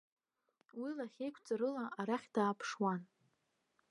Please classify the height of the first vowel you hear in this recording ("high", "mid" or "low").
high